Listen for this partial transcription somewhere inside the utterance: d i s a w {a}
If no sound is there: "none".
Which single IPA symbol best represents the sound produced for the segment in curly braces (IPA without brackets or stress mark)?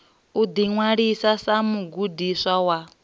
a